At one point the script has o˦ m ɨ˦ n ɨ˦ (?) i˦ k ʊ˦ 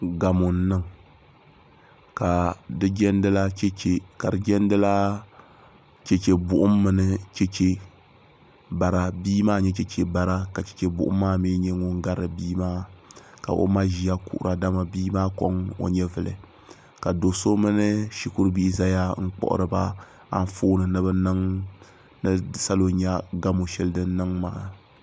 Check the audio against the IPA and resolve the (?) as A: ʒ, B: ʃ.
B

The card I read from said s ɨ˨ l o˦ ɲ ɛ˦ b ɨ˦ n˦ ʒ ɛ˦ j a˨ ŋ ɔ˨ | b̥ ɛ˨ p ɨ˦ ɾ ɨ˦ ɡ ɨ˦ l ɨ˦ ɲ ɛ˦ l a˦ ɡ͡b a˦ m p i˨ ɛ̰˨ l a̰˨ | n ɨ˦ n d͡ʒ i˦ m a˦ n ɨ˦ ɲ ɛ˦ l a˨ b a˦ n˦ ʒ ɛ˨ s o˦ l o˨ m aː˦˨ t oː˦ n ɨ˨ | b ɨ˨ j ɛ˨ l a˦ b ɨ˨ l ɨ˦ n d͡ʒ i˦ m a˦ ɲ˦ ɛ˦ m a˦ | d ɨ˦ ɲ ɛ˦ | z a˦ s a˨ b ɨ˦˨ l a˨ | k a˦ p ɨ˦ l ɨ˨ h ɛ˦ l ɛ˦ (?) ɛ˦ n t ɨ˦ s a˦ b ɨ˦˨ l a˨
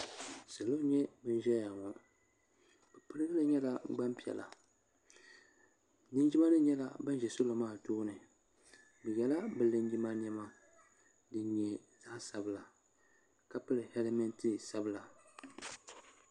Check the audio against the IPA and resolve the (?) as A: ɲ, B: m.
B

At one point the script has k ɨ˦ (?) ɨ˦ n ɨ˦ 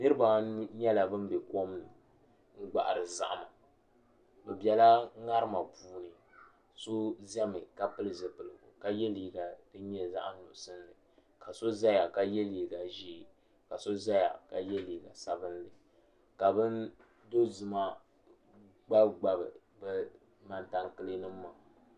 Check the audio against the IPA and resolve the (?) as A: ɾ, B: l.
B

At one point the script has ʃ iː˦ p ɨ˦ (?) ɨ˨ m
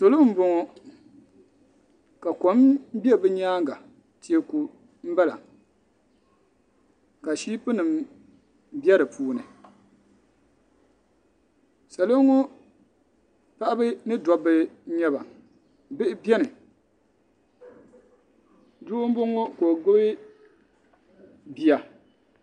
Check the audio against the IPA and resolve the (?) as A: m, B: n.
B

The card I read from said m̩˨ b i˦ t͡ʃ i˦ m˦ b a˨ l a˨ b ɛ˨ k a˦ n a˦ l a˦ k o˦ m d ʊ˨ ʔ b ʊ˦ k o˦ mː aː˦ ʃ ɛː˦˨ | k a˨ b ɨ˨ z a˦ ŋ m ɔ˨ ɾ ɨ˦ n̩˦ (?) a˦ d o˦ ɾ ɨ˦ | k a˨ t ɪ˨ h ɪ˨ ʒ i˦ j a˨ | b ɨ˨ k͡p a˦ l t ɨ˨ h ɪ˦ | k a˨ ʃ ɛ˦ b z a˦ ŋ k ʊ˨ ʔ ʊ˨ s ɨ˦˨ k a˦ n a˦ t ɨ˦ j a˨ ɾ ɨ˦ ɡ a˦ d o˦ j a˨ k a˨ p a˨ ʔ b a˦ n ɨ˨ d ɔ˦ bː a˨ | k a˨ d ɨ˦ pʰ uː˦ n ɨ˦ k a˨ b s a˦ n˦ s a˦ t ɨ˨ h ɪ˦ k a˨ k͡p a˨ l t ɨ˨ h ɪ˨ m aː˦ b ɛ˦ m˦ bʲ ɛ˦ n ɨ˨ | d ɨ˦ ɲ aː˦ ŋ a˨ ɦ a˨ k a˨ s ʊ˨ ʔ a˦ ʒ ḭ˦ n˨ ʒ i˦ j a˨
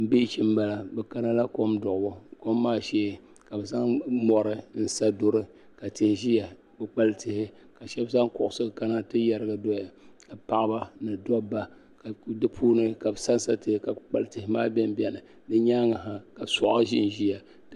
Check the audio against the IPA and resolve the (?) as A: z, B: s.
B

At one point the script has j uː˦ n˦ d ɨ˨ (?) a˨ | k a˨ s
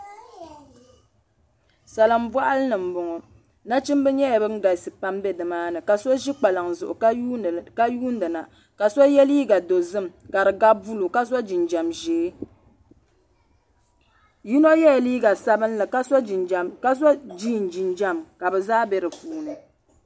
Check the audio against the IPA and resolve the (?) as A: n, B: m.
A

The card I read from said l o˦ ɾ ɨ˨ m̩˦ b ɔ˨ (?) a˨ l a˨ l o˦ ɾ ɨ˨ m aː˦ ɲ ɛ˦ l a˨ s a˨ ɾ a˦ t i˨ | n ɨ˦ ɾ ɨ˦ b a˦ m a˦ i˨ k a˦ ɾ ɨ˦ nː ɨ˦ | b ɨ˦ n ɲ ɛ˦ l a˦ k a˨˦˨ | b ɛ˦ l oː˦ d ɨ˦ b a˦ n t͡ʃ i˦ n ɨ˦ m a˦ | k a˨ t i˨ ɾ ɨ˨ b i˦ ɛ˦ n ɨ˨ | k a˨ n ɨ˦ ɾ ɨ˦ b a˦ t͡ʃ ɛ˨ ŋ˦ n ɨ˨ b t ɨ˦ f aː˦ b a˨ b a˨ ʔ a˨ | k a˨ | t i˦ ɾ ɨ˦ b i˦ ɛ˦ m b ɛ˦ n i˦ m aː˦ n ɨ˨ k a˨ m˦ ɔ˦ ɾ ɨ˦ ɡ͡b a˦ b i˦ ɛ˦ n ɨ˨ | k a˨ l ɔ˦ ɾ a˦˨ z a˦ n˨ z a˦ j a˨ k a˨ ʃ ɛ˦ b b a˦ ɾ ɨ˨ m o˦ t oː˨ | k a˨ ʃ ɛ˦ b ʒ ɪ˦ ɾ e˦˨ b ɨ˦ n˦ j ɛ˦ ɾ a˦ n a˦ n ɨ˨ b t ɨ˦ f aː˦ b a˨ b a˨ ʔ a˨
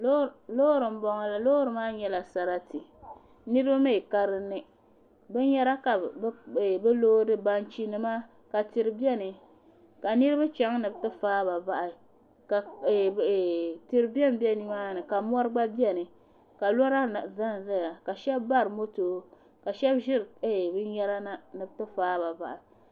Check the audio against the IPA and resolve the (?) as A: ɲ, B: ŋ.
B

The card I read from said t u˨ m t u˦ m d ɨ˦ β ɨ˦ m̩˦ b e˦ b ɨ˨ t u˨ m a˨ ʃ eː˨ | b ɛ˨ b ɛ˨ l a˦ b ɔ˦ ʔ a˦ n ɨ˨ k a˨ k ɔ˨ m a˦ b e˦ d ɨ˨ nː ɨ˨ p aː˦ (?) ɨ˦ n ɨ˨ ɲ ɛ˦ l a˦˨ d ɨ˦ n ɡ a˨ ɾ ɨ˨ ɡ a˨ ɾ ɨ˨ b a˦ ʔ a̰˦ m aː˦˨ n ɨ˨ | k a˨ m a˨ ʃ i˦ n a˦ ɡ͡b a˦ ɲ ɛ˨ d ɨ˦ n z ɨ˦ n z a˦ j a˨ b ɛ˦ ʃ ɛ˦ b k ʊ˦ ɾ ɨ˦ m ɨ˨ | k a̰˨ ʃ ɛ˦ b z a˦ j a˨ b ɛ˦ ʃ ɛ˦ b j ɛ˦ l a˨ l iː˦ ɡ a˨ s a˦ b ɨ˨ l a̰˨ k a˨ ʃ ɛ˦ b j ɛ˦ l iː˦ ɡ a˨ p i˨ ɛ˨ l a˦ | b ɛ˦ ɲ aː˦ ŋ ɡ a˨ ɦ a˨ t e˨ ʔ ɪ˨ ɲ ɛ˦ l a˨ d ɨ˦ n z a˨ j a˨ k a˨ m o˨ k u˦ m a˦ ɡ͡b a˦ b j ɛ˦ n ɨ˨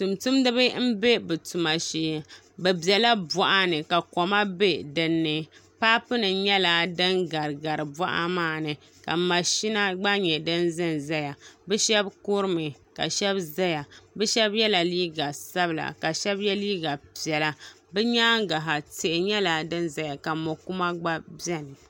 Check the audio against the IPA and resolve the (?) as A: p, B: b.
A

